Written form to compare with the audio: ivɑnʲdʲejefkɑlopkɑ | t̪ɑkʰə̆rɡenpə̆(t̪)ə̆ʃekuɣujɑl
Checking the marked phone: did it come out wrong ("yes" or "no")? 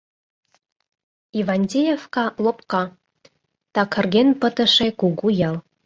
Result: no